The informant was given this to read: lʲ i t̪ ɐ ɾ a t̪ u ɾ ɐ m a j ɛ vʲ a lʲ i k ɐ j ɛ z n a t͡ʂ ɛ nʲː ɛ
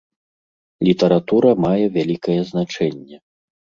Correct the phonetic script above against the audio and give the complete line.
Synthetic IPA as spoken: lʲ i t̪ ɐ ɾ a t̪ u ɾ ɐ m a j ɛ vʲ a lʲ i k ɐ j ɛ z n a t͡ʂ ɛ nʲː ɛ

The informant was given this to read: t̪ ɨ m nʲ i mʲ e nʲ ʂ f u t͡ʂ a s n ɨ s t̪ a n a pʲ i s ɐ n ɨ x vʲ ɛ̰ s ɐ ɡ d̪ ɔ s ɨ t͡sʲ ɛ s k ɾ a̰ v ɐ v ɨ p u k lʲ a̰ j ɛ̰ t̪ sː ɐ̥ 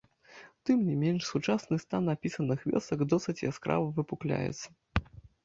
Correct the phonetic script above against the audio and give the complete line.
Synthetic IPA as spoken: t̪ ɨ m nʲ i mʲ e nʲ ʂ s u t͡ʂ a s n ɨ s t̪ a n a pʲ i s ɐ n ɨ x vʲ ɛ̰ s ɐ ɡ d̪ ɔ s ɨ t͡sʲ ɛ s k ɾ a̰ v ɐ v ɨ p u k lʲ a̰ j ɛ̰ t̪ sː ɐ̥

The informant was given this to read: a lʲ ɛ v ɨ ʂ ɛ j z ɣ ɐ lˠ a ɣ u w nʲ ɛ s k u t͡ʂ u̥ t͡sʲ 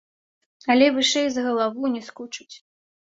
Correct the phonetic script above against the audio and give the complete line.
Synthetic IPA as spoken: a lʲ ɛ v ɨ ʂ ɛ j z ɣ ɐ lˠ a v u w nʲ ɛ s k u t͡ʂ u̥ t͡sʲ

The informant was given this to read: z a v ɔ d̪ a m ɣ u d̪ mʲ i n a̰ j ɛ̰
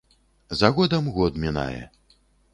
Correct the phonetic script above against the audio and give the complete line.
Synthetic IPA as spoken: z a ɣ ɔ d̪ ɐ m ɣ ɔ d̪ mʲ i n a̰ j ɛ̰

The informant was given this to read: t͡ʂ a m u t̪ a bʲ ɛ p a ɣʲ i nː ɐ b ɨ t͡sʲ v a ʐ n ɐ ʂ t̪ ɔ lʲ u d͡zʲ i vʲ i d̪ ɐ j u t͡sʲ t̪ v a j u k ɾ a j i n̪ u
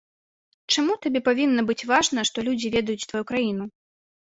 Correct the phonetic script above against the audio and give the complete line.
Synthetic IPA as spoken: t͡ʂ a m u t̪ a bʲ ɛ p a vʲ i nː ɐ b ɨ t͡sʲ v a ʐ n ɐ ʂ t̪ ɔ lʲ u d͡zʲ i vʲ ɛ d̪ ɐ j u t͡sʲ t̪ v a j u k ɾ a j i n̪ u

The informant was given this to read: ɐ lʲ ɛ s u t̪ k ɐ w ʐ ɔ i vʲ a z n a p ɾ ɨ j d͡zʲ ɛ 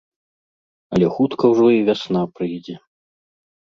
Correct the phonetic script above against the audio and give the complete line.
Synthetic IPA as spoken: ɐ lʲ ɛ x u t̪ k ɐ w ʐ ɔ i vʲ a s n a p ɾ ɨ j d͡zʲ ɛ

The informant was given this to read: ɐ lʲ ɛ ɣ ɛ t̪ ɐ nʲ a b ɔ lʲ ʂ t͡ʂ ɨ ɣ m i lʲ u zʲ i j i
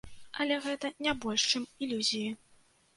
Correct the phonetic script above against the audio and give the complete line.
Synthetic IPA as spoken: ɐ lʲ ɛ ɣ ɛ t̪ ɐ nʲ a b ɔ lʲ ʂ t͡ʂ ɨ m i lʲ u zʲ i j i

